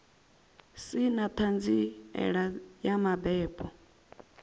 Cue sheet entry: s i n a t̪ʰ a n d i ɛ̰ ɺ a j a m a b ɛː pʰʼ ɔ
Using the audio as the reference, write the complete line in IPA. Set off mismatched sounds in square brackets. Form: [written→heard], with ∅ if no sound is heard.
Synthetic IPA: s i n a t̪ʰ a n [d→d͡z] i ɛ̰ ɺ a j a m a b ɛː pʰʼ ɔ